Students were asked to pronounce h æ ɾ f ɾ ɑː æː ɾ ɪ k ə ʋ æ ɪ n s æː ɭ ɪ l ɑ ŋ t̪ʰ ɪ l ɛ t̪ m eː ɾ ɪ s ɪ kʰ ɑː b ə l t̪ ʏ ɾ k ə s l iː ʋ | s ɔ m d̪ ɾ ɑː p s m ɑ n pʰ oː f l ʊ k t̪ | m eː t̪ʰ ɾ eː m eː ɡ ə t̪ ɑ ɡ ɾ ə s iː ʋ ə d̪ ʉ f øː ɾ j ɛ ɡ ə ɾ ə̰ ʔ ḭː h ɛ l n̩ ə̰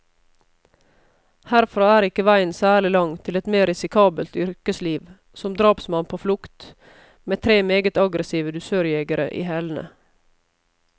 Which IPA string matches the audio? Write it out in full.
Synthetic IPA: h æ ɾ f ɾ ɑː æː ɾ ɪ k ə ʋ æ ɪ n s æː ɭ ɪ l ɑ ŋ t̪ʰ ɪ l ɛ t̪ m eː ɾ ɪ s ɪ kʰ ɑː b ə l t̪ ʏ ɾ k ə s l iː ʋ | s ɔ m d̪ ɾ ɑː p s m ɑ n pʰ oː f l ʊ k t̪ | m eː t̪ʰ ɾ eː m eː ɡ ə t̪ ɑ ɡ ɾ ə s iː ʋ ə d̪ ʉ s øː ɾ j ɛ ɡ ə ɾ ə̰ ʔ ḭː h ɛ l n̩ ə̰